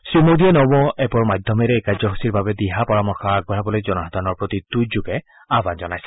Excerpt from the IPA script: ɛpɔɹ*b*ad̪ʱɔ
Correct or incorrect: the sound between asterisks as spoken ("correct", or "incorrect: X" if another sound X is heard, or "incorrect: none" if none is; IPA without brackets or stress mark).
incorrect: m